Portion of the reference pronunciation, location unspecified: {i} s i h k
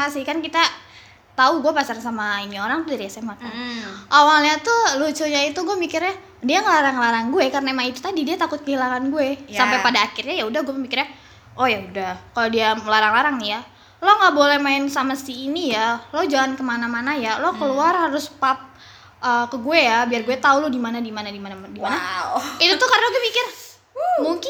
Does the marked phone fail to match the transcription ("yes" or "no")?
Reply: yes